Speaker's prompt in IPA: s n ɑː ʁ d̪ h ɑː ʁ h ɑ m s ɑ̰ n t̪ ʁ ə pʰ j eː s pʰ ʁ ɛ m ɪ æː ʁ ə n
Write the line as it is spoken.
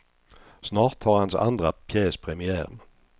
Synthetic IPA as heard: s n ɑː ʁ t̪ h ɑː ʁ h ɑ n s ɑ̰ n d̪ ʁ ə pʰ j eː s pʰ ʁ ɛ m ɪ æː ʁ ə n

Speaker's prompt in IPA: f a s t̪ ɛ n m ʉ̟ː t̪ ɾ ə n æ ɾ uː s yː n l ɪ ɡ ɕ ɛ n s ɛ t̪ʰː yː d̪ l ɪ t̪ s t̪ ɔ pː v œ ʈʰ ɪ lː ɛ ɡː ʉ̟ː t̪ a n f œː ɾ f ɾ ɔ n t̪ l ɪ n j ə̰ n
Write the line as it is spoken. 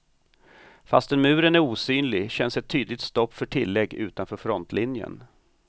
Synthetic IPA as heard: f a s t̪ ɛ n m ʉ̟ː ɾ ə n æ ɾ uː s yː n l ɪ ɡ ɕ ɛ n s ɛ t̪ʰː yː d̪ l ɪ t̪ s t̪ ɔ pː f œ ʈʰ ɪ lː ɛ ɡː ʉ̟ː t̪ a n f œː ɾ f ɾ ɔ n t̪ l ɪ n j ə̰ n

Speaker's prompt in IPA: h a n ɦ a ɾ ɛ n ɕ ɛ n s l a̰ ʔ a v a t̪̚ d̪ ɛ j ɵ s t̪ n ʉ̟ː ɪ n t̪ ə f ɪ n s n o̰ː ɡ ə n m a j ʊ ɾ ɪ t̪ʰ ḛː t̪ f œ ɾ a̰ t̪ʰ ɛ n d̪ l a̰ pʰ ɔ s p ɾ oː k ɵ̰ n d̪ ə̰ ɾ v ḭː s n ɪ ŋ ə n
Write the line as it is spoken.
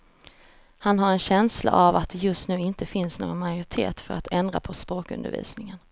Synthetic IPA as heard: h a n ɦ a ɾ ɛ n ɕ ɛ n s l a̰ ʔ a v a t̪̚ d̪ ɛ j ɵ s t̪ n ʉ̟ː ɪ n t̪ ə f ɪ n s n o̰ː ɡ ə n m a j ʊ ɾ ɪ t̪ʰ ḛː t̪ f œ ɾ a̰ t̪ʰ ɛ n d̪ ɾ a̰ pʰ ɔ s p ɾ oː k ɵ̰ n d̪ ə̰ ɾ v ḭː s n ɪ ŋ ə n

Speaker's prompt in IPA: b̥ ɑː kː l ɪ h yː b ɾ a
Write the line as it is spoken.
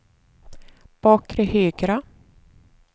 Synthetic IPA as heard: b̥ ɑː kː ɾ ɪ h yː ɡ ɾ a

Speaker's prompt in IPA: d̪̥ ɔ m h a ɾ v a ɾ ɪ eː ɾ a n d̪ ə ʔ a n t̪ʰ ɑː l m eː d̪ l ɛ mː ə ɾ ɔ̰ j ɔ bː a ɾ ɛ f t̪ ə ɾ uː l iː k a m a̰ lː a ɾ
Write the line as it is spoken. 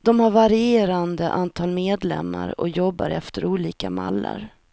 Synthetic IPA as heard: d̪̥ ɔ m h a ɾ v a ɾ ɪ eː ɾ a n d̪ ə ʔ a n t̪ʰ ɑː l m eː d̪ l ɛ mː a ɾ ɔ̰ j ɔ bː a ɾ ɛ f t̪ ə ɾ uː l iː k a m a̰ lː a ɾ

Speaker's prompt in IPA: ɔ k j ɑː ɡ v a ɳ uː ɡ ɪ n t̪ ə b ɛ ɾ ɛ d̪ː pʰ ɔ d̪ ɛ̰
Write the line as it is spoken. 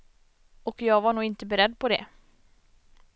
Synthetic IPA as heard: ɔ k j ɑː ɡ v a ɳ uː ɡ ɪ n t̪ ə b ɛ ɾ ɛ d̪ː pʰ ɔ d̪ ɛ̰

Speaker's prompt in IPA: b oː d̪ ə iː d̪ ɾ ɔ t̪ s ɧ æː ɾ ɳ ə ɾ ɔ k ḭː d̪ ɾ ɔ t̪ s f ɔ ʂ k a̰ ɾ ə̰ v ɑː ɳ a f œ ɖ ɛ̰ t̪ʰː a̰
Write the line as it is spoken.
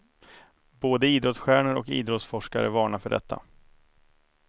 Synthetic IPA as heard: b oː d̪ ə iː d̪ ɾ ɔ t̪ s ɧ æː ɳ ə ɾ ɔ k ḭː d̪ ɾ ɔ t̪ s f ɔ ʂ k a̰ ɾ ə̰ v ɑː ɳ a f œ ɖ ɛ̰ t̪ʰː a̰

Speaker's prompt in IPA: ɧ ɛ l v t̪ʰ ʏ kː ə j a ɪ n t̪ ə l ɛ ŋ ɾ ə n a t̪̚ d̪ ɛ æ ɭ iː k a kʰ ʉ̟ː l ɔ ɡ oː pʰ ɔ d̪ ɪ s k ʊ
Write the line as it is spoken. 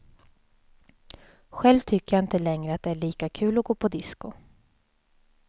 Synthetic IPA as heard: ɧ ɛ l v t̪ʰ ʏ kː ə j a ɪ n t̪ ə l ɛ ŋ ɾ ə a t̪̚ d̪ ɛ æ ɭ iː k a kʰ ʉ̟ː l ɔ ɡ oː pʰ ɔ d̪ ɪ s k ʊ

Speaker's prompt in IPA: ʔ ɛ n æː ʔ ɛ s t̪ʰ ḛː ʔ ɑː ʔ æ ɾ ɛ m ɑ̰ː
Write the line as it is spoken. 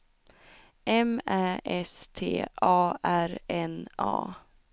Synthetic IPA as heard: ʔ ɛ m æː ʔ ɛ s t̪ʰ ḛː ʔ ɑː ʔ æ ɾ ɛ n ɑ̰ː

